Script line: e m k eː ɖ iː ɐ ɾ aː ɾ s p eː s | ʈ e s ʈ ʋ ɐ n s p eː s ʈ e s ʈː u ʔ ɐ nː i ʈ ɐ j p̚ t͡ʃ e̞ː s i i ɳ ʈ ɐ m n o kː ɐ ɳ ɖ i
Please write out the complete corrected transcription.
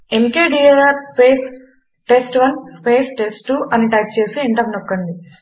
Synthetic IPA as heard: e m k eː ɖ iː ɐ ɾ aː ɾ s p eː s | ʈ e s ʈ ʋ ɐ n s p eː s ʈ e s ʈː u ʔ ɐ n i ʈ ɐ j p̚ t͡ʃ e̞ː s i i ɳ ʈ ɐ m n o kː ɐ ɳ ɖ i